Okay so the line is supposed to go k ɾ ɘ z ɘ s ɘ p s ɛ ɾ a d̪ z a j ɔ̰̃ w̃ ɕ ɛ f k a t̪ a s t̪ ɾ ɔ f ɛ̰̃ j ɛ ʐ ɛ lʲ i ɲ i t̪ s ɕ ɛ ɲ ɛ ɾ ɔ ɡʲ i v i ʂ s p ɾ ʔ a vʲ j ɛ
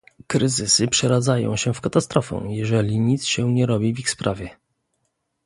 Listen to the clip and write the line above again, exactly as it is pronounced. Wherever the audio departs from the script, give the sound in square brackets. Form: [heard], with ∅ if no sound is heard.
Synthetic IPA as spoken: k ɾ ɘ z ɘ s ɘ p [ʂ] ɛ ɾ a d̪ z a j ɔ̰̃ w̃ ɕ ɛ f k a t̪ a s t̪ ɾ ɔ f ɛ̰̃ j ɛ ʐ ɛ lʲ i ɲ i t̪ s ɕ ɛ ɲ ɛ ɾ ɔ [bʲ] i v i [x] s p ɾ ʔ a vʲ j ɛ